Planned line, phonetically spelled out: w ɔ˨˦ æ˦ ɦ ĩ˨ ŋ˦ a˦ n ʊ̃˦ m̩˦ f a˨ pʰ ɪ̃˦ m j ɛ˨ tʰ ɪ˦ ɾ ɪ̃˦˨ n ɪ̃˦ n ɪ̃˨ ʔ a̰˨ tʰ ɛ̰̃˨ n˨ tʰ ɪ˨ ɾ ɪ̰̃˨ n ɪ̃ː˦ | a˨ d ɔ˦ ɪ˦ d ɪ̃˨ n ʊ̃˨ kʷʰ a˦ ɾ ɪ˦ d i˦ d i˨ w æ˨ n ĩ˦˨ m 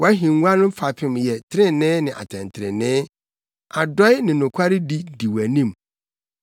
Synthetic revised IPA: w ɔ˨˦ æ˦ ɦ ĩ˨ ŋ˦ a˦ n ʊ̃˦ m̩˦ f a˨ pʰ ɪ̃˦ m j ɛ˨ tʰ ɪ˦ ɾ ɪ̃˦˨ n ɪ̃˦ n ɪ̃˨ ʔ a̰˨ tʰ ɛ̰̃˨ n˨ tʰ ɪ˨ ɾ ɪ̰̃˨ n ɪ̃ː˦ | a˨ d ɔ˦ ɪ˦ n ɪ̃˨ n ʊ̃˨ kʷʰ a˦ ɾ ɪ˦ d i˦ d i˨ w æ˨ n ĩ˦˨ m